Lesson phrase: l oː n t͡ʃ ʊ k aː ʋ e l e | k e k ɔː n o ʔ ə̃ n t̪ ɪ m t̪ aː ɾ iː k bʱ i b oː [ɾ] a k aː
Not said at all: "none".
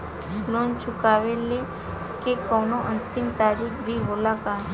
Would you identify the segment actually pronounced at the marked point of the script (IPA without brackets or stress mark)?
l